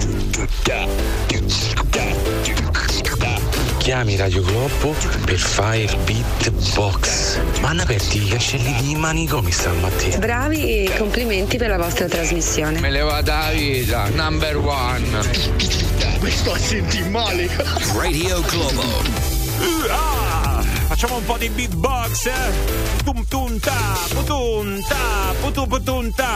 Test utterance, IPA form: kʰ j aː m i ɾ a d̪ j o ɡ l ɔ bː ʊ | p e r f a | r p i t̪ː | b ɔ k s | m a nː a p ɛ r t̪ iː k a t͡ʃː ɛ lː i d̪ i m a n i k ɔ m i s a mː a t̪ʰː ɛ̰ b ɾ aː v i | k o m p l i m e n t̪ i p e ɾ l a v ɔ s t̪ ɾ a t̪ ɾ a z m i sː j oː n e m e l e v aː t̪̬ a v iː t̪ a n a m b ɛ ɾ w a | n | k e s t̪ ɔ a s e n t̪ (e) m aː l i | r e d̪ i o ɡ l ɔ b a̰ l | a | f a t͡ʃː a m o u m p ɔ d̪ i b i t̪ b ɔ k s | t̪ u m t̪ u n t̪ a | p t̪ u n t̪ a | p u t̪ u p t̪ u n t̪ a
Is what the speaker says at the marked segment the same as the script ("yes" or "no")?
no